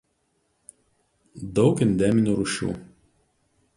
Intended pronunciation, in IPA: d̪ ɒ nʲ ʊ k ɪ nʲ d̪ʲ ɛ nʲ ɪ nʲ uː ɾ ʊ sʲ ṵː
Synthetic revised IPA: d̪ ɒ ʊ k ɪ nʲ d̪ʲ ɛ mʲ ɪ nʲ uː ɾ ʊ ʃʲ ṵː